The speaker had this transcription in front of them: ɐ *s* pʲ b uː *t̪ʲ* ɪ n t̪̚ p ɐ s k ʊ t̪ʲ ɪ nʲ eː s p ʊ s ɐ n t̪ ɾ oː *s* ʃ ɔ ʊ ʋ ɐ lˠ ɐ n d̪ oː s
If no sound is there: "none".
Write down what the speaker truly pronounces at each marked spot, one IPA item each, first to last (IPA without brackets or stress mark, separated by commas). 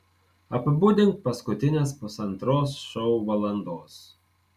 none, d̪ʲ, s